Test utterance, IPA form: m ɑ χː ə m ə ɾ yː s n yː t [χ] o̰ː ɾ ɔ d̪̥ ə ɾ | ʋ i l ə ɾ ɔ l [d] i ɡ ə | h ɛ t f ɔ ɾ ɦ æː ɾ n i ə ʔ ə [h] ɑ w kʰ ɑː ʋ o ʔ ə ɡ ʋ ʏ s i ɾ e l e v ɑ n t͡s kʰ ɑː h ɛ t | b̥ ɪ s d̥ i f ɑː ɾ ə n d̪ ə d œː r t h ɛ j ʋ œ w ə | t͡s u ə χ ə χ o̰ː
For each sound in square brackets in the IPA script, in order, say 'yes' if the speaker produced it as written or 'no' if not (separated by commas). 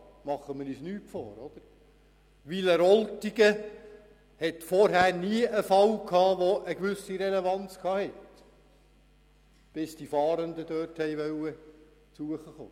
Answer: no, no, no